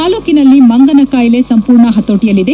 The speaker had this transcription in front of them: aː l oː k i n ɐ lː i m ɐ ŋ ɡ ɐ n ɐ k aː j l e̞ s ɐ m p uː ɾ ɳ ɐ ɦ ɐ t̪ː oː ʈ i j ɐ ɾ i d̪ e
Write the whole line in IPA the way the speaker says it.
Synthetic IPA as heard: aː l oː k i n ɐ lː i m ɐ ŋ ɡ ɐ n ɐ k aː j l e̞ s ɐ m p uː ɾ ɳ ɐ ɦ ɐ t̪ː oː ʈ i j ɐ l i d̪ e